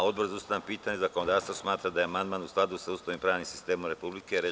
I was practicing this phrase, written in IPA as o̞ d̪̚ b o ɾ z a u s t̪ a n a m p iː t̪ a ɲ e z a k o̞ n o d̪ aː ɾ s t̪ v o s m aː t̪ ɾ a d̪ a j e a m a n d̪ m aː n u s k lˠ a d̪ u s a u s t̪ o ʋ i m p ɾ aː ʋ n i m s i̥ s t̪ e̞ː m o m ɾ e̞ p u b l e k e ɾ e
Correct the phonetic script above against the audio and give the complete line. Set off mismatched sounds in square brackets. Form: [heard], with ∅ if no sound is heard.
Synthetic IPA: o̞ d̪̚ b o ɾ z a u s t̪ a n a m p iː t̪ a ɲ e z a k o̞ n o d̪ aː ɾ s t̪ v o s m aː t̪ ɾ a d̪ a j e a m a n d̪ m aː n u s k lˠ a d̪ u s a u s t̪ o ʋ i m p ɾ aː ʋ n i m s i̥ s t̪ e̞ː m o m ɾ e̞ p u b l [i] k e ɾ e